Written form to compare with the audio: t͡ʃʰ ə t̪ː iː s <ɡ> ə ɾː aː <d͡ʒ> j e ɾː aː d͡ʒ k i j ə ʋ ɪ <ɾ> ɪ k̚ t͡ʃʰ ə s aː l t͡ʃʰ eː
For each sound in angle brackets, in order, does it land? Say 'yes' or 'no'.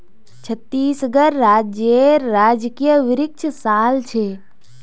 yes, yes, yes

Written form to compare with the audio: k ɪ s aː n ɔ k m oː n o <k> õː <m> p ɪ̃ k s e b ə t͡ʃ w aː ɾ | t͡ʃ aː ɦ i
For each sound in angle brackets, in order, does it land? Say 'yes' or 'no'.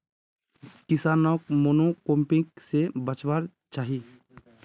yes, yes

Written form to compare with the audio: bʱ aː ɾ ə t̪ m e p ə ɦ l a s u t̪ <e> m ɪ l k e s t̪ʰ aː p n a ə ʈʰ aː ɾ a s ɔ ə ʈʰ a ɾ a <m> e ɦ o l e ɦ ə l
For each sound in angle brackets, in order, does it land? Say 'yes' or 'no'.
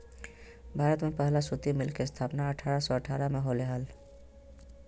no, yes

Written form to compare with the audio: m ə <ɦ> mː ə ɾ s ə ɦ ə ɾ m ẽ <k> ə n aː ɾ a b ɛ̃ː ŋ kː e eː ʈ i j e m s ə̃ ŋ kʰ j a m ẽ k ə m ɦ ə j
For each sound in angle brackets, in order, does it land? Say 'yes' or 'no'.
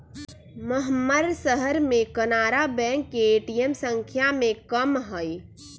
yes, yes

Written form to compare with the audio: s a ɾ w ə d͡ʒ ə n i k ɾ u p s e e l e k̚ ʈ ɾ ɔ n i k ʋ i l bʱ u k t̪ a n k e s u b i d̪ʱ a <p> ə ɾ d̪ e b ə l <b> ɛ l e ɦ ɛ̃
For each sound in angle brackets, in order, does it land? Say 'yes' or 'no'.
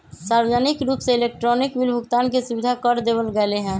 no, no

